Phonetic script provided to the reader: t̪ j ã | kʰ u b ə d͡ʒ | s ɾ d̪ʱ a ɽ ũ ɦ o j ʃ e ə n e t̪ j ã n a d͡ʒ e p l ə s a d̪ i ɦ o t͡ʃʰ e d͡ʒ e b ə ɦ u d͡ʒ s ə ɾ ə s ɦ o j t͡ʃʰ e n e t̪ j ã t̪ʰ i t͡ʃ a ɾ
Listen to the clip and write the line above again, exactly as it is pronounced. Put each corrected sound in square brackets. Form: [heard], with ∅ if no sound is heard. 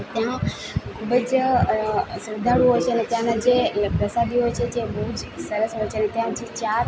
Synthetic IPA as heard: t̪ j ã | kʰ u b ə d͡ʒ | s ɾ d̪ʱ a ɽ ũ ɦ o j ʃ e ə n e t̪ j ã n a d͡ʒ e p [ɾ] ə s a d̪ i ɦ o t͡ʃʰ e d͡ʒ e b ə ɦ u d͡ʒ s ə ɾ ə s ɦ o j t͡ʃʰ e n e t̪ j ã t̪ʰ i t͡ʃ a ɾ